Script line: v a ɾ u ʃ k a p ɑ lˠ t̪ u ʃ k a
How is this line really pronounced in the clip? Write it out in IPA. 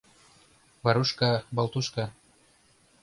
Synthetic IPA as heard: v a ɾ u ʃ k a b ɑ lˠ t̪ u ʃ k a